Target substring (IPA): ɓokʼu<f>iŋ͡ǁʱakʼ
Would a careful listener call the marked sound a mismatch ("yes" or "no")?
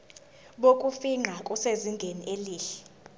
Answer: no